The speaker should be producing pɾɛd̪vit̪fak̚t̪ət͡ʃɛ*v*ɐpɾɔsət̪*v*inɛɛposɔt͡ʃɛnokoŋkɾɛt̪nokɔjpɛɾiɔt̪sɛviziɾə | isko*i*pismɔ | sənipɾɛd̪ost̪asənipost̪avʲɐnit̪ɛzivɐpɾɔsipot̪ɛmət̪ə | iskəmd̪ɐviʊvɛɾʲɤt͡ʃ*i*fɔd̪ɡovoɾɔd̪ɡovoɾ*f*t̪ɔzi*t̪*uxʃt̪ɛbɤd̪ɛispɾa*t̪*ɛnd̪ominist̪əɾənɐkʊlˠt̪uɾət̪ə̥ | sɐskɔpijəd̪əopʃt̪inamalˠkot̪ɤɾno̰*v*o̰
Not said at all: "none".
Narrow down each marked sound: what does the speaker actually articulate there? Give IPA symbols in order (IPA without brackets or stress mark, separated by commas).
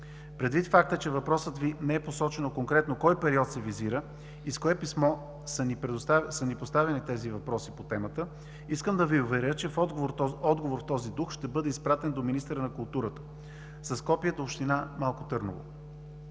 v, v, ɛ, ɛ, f, d̪, t̪, v